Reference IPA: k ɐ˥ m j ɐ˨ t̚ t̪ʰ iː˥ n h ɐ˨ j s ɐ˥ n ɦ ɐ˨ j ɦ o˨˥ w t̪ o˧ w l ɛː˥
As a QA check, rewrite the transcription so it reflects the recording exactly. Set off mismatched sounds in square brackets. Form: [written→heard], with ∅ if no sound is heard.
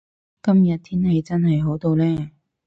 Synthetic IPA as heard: k ɐ˥ m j ɐ˨ t̚ t̪ʰ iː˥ n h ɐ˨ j [s→t͡s] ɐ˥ n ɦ ɐ˨ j ɦ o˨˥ w t̪ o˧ w l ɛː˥